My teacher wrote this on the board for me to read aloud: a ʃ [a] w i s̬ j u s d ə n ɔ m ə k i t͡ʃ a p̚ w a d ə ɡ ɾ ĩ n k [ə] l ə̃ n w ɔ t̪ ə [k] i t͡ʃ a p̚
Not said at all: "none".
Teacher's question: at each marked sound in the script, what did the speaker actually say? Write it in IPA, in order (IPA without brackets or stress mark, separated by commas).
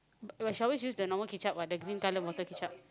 a, a, k